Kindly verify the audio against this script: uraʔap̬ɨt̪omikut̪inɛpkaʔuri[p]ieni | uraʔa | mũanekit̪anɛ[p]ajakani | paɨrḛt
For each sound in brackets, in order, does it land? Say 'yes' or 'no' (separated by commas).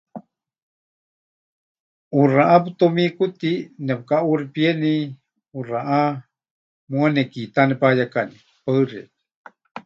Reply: yes, yes